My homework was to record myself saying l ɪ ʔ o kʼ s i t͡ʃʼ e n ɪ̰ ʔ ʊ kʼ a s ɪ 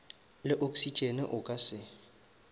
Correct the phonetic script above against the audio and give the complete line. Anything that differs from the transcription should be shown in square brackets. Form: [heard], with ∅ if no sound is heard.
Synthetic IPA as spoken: l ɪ ʔ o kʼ s i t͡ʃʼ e n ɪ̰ ʔ ʊ kʼ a s ɪ